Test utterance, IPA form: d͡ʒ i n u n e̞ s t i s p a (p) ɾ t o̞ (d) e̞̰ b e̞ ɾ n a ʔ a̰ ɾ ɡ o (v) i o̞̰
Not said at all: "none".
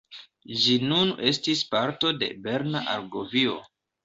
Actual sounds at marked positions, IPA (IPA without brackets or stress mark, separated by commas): none, d, v